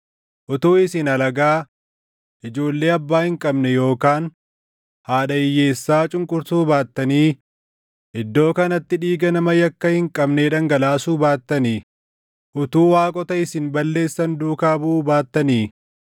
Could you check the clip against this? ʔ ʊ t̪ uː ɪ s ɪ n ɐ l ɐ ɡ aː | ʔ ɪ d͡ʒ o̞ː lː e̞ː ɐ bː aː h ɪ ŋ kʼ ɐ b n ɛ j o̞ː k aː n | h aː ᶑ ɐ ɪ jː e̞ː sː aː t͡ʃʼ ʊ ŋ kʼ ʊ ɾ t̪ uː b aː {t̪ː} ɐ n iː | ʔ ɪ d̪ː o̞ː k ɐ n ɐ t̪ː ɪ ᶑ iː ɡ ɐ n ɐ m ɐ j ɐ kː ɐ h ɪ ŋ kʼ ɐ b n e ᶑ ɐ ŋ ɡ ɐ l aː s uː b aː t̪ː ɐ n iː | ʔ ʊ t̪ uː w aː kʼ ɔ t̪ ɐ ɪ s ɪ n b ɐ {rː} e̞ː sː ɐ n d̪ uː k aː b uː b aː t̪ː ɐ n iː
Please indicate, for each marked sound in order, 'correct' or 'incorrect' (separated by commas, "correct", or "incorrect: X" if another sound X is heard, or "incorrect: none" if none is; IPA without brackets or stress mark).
correct, incorrect: lː